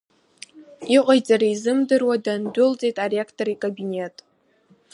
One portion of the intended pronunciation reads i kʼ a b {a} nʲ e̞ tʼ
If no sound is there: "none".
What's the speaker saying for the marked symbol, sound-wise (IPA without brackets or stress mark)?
i